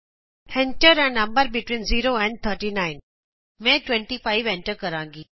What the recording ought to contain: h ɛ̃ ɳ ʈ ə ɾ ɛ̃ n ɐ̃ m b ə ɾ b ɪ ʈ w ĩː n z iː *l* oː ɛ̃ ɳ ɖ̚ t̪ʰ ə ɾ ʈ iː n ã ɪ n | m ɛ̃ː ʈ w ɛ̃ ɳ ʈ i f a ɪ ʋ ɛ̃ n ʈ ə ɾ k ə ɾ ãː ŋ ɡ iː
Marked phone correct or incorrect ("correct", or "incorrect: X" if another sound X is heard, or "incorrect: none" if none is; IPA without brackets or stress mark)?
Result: incorrect: ɾ